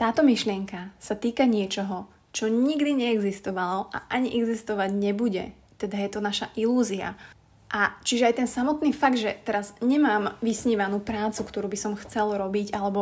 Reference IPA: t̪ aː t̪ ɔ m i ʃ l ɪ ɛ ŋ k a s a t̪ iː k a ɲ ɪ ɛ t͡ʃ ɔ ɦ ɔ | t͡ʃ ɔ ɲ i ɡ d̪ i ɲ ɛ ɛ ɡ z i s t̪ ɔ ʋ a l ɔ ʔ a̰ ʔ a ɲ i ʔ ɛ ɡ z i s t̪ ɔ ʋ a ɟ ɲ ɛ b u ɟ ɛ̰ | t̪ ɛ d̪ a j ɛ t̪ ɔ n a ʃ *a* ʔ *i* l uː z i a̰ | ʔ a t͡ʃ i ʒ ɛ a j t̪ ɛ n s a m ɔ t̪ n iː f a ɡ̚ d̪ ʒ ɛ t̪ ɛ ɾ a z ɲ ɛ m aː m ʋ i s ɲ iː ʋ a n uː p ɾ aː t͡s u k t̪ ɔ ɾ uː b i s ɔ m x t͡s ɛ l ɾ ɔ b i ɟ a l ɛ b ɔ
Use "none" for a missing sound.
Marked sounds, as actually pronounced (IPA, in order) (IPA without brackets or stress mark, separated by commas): a, i